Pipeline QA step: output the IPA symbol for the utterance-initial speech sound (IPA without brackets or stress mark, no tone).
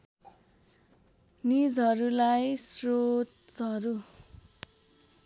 n